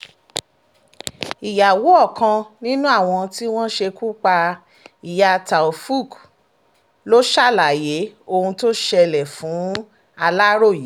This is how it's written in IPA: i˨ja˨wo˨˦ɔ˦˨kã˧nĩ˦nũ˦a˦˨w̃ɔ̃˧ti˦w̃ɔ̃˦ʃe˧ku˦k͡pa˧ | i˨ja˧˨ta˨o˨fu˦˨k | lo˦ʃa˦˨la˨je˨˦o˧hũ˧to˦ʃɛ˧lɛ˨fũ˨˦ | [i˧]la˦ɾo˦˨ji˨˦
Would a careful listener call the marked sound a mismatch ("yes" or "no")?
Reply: yes